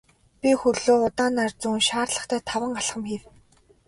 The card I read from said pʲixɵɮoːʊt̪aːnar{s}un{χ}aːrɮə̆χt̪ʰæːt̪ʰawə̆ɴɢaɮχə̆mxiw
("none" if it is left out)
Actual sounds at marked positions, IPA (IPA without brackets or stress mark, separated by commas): t͡s, ʃ